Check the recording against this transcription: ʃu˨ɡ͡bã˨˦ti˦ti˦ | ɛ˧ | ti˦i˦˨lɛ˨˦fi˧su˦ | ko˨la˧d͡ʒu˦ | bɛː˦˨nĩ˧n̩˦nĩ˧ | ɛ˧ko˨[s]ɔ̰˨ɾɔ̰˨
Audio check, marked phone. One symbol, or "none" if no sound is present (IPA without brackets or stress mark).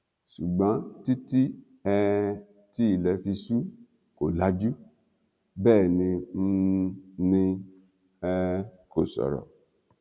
s